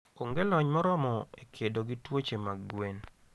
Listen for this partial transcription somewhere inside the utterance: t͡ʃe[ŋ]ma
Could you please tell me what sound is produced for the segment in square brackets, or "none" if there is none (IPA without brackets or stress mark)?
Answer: none